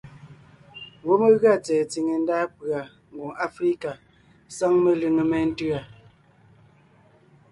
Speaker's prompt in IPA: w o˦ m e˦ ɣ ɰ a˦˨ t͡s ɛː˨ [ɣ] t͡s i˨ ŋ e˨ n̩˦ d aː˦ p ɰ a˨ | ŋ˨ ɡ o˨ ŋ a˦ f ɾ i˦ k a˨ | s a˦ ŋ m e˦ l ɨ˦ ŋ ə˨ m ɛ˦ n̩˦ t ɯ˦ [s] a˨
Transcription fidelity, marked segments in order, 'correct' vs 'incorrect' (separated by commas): incorrect, incorrect